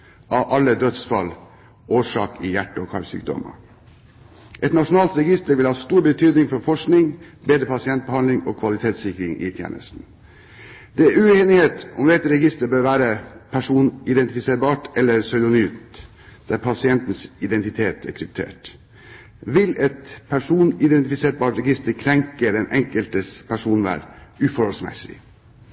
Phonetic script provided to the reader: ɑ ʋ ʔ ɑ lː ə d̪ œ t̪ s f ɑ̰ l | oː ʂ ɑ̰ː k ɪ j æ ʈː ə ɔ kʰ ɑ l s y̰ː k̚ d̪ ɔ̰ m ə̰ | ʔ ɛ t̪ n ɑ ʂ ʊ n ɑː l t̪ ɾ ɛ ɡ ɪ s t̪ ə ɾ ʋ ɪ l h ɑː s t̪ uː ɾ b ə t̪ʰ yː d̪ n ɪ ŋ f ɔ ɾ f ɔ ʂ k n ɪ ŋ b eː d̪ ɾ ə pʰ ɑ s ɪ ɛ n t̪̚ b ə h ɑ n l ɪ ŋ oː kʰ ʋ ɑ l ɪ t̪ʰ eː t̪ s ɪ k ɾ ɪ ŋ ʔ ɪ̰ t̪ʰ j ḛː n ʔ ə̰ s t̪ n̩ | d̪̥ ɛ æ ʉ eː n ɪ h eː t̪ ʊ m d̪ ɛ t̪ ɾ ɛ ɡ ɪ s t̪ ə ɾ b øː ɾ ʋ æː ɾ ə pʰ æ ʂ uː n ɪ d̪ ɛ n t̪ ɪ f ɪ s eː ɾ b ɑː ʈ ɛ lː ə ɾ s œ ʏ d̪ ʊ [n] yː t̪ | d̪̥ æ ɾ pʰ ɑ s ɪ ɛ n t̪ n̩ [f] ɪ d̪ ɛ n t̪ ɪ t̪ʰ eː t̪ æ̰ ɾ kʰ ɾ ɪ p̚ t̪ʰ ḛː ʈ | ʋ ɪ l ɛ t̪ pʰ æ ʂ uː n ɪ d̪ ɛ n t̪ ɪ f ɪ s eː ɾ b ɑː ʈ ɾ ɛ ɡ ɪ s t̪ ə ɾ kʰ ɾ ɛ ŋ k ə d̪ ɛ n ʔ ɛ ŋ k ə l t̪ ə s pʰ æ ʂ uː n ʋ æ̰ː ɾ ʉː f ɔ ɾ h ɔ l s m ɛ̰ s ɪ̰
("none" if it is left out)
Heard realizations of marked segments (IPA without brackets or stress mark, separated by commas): n, s